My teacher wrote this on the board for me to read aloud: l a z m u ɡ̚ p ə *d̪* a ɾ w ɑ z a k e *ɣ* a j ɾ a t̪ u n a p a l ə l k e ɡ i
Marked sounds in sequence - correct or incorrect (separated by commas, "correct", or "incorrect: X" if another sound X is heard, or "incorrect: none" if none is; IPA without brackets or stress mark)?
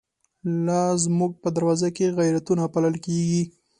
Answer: correct, correct